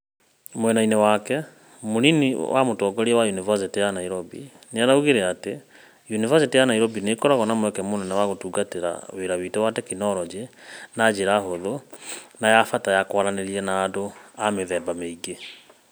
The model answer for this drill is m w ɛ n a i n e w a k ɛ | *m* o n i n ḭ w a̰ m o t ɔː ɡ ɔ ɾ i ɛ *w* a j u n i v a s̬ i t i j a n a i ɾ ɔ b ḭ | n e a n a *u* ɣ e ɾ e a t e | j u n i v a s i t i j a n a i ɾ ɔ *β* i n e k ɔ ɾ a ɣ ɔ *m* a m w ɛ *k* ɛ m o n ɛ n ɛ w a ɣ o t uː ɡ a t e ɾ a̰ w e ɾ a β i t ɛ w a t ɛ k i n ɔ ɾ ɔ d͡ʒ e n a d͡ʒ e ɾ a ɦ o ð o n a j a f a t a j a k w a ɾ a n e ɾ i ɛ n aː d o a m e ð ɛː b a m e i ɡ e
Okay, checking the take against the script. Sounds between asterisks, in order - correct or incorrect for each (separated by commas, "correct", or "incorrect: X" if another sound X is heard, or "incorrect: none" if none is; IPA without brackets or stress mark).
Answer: correct, correct, correct, incorrect: b, incorrect: n, correct